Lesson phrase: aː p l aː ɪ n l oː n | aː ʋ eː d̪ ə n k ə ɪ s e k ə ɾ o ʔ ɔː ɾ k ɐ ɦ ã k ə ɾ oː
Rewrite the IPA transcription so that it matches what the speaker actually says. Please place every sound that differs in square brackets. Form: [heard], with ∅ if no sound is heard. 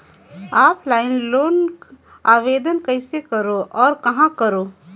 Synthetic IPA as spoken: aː p l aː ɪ n l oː n | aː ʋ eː d̪ ə n k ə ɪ s e k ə ɾ o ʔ ɔː ɾ k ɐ ɦ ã k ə ɾ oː